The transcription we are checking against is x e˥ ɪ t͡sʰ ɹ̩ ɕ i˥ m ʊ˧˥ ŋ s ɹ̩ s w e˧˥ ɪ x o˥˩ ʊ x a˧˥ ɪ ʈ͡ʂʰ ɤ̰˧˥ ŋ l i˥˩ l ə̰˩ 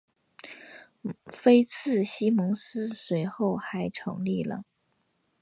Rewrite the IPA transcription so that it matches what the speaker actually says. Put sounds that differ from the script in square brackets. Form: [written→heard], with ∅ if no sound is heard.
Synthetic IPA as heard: [x→f] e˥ ɪ t͡sʰ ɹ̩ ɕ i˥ m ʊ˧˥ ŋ s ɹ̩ s w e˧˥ ɪ x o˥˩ ʊ x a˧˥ ɪ ʈ͡ʂʰ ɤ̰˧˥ ŋ l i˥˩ l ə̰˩